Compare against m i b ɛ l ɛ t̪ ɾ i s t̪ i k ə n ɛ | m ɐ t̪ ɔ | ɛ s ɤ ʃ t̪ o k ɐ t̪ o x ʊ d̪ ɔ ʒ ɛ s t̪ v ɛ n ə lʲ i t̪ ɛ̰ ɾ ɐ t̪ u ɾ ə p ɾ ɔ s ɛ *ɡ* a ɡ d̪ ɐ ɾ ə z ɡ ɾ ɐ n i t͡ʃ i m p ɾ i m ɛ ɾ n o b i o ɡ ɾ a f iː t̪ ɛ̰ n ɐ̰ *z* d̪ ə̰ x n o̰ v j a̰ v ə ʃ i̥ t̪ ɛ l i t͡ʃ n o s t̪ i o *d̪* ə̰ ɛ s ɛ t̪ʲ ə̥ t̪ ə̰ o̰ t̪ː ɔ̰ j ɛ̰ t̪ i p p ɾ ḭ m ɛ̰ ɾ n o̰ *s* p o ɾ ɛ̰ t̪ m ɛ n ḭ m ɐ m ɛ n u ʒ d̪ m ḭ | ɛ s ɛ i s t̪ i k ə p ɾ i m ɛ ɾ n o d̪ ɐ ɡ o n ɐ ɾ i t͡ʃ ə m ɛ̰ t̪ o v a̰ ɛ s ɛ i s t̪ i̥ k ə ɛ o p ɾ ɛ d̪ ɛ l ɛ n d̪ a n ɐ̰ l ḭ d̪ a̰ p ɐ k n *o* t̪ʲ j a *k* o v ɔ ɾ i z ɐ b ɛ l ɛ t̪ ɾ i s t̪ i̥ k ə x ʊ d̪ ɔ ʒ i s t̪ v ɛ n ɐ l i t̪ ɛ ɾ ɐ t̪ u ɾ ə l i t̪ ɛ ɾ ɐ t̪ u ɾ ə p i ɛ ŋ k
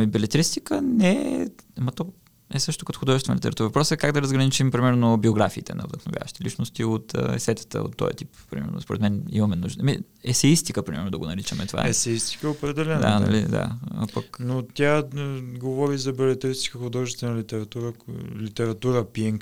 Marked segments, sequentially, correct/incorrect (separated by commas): incorrect, incorrect, incorrect, correct, correct, incorrect